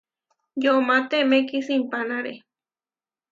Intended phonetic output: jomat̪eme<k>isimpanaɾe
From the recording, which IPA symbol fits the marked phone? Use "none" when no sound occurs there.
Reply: k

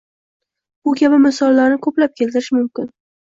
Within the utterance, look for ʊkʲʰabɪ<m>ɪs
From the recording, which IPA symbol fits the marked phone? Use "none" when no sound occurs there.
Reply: m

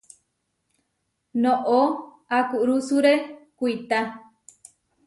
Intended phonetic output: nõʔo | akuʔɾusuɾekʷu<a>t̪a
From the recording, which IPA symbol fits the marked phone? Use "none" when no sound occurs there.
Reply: i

